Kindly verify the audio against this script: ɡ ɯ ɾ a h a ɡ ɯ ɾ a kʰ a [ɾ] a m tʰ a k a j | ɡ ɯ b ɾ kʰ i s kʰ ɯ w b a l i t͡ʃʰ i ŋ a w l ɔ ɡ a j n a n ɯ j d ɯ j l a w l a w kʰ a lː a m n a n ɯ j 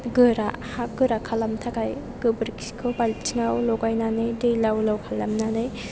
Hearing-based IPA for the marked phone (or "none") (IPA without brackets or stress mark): l